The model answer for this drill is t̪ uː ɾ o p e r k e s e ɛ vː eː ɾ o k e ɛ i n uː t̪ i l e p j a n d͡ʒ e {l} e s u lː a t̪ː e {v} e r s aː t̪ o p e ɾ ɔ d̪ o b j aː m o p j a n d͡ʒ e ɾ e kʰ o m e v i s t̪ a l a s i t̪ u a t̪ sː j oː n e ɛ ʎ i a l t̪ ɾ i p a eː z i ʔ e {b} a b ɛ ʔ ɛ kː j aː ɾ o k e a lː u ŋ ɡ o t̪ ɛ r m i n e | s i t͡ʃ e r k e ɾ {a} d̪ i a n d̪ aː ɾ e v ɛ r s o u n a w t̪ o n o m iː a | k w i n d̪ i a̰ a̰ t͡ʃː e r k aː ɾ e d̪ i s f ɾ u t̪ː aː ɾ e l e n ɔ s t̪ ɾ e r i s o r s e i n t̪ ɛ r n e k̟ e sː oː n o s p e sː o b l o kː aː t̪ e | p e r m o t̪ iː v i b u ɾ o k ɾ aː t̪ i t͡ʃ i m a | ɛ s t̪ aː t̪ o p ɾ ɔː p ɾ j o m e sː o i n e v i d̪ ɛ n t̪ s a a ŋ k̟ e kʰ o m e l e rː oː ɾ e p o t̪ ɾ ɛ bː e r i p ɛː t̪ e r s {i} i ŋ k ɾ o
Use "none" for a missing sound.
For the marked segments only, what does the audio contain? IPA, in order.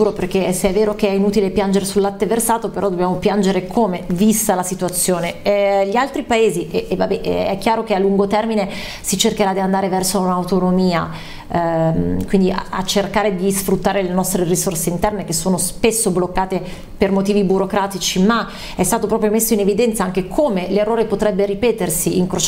ɾ, v, v, a, i

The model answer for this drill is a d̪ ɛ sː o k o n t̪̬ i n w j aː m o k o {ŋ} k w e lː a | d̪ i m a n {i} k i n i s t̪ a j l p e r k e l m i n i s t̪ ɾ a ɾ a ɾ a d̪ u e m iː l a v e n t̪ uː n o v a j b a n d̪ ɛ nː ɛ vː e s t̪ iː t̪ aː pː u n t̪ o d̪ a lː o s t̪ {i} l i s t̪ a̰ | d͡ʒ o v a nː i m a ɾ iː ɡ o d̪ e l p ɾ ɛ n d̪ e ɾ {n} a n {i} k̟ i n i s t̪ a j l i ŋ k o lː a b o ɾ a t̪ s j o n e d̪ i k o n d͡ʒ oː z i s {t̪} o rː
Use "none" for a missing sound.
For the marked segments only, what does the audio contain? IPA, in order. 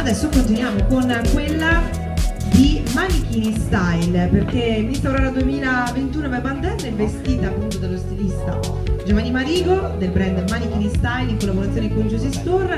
n, i, i, m, i, t̪

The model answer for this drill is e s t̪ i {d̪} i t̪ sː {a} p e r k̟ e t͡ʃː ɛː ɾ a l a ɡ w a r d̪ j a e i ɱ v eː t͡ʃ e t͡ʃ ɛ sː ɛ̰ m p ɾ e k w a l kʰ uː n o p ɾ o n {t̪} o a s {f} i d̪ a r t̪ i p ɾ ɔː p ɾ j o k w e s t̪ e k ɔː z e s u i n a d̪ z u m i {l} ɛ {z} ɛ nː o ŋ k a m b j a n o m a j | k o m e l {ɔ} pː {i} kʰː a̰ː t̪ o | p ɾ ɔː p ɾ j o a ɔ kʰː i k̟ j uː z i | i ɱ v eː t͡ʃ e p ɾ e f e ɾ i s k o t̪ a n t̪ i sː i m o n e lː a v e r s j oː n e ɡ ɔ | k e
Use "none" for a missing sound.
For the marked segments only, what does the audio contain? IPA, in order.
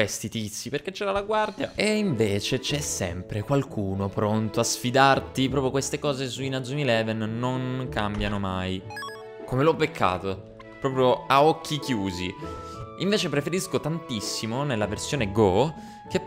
t̪, i, t̪, f, l, v, ɔ, e

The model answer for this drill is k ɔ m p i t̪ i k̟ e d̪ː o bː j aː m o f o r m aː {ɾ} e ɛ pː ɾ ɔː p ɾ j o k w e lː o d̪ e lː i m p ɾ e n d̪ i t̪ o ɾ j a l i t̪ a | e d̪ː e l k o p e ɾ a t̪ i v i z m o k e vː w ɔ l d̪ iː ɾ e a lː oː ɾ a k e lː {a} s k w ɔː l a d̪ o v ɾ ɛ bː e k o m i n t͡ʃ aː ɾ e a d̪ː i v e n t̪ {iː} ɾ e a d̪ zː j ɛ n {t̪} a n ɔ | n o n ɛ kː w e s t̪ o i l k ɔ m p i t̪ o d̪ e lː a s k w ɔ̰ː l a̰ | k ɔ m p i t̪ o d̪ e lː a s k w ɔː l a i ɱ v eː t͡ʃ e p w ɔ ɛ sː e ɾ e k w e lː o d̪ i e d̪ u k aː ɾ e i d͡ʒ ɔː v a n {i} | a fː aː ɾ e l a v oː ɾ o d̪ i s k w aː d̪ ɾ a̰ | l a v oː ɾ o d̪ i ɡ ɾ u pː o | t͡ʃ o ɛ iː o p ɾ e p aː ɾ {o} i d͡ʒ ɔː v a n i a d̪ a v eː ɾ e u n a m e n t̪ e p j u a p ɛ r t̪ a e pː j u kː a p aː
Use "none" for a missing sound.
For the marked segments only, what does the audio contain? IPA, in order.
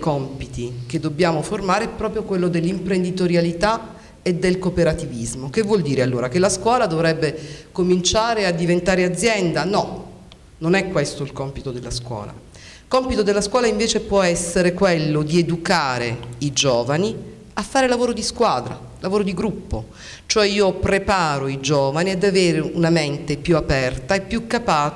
ɾ, a, aː, d̪, i, o

